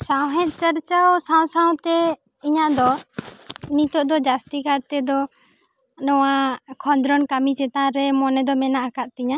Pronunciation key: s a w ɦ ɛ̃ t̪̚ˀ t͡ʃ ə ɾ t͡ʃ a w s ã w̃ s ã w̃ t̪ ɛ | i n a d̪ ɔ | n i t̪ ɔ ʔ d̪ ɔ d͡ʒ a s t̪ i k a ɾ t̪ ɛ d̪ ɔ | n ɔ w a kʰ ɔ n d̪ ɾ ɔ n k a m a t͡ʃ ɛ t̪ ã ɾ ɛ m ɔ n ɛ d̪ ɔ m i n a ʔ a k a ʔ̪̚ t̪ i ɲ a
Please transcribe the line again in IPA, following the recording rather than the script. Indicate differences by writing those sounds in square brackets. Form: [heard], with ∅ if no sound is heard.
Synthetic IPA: s a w ɦ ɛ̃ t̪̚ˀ t͡ʃ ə ɾ t͡ʃ a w s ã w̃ s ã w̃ t̪ ɛ | i [ɲ] a d̪ ɔ | n i t̪ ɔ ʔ d̪ ɔ d͡ʒ a s t̪ i k a ɾ t̪ ɛ d̪ ɔ | n ɔ w a kʰ ɔ n d̪ ɾ ɔ n k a m [i] t͡ʃ ɛ t̪ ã ɾ ɛ m ɔ n ɛ d̪ ɔ m [ɛ] n a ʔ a k a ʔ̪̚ t̪ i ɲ a